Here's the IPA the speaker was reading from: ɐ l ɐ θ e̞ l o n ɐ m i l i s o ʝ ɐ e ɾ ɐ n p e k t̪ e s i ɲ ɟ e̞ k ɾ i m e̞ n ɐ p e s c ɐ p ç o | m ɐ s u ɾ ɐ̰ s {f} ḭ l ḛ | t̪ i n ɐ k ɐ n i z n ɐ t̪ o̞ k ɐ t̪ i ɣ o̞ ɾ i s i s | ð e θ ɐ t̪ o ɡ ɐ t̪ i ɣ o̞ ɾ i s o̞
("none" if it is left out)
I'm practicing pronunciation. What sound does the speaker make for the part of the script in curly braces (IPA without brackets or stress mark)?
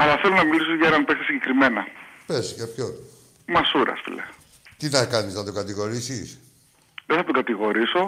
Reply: f